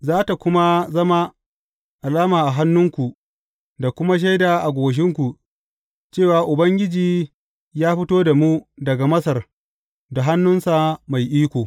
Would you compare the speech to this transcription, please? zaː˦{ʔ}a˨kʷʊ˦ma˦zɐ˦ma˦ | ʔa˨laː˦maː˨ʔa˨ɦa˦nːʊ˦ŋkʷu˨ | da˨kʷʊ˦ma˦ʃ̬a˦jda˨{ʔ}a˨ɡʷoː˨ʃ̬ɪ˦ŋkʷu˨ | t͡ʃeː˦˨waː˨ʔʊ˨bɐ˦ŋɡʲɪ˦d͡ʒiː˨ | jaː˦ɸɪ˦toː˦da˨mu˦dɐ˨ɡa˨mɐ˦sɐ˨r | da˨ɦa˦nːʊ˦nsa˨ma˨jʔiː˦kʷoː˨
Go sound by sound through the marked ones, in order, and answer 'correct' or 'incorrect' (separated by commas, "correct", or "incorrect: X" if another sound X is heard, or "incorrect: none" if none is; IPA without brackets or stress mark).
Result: incorrect: t, correct